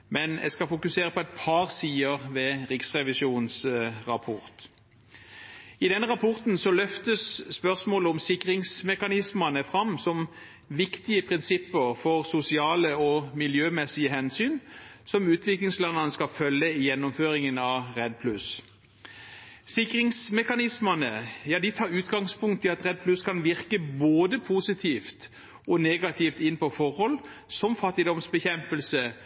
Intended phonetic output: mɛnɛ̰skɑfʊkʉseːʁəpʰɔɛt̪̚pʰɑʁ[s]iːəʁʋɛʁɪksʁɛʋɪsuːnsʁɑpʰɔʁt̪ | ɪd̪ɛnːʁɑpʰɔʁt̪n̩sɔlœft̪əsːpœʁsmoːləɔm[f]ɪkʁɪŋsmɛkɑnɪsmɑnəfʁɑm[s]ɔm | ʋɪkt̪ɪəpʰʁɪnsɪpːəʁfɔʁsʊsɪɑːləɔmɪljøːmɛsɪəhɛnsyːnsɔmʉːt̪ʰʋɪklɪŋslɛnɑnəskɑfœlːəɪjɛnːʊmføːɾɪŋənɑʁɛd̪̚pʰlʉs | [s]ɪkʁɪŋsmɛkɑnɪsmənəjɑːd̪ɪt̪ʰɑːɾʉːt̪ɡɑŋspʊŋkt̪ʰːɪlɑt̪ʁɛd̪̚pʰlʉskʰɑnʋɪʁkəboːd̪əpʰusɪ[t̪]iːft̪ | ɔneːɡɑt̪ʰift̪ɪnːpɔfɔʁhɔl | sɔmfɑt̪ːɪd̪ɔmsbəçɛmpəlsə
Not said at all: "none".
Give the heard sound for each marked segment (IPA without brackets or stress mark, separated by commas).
s, s, s, s, t̪ʰ